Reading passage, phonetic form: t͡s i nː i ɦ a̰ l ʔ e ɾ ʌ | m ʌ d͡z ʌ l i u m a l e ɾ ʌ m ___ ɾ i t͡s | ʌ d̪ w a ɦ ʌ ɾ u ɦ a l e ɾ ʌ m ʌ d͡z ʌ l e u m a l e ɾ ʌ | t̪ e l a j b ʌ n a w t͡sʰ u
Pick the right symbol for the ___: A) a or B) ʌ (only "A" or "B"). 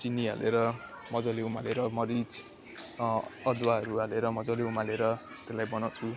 B